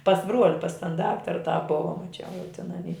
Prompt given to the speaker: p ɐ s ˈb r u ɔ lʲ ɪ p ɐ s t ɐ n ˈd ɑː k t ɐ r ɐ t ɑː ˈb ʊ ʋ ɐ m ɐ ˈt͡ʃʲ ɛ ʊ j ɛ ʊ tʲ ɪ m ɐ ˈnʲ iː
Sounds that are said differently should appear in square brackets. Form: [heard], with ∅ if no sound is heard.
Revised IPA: p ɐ s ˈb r u ɔ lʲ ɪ p ɐ s t ɐ n ˈd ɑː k t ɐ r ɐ t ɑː ˈb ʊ ʋ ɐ m ɐ ˈt͡ʃʲ ɛ ʊ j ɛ ʊ tʲ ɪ [n] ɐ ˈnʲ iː